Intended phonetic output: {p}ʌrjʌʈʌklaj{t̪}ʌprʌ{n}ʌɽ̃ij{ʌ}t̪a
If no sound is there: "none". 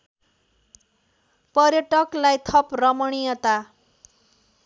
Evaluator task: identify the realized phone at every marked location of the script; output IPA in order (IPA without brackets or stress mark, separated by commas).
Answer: p, t̪ʰ, m, ʌ